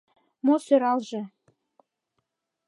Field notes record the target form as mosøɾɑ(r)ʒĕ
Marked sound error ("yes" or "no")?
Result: yes